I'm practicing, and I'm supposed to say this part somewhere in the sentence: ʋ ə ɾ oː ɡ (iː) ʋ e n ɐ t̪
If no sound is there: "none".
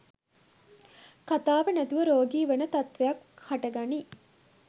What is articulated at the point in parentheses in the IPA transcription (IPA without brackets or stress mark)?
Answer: iː